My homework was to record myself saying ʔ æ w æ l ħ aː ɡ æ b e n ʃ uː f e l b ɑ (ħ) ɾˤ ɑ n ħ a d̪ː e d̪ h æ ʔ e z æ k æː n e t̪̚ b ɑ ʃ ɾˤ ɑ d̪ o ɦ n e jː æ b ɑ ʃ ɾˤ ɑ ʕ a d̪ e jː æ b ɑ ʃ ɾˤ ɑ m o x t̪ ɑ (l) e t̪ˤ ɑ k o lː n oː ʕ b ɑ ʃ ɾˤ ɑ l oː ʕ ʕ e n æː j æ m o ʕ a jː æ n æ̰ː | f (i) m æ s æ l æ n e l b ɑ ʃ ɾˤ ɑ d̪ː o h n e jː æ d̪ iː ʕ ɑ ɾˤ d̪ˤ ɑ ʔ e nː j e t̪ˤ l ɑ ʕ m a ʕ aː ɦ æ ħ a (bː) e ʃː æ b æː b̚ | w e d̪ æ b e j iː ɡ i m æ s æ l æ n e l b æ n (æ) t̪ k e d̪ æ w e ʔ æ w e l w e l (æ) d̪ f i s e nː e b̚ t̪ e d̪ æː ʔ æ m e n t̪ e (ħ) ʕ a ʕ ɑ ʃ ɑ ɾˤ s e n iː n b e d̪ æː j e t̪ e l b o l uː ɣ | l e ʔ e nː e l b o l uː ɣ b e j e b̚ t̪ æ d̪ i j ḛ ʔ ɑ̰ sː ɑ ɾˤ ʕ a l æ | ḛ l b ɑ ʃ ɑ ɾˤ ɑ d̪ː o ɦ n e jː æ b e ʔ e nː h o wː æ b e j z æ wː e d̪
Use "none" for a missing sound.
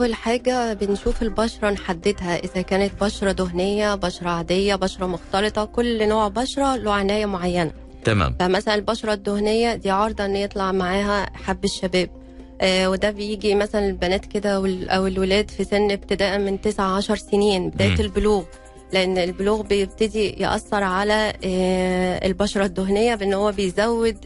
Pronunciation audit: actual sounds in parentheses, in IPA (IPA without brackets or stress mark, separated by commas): ʃ, l, æ, bː, æː, æː, s